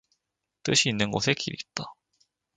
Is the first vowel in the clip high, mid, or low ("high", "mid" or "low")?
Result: high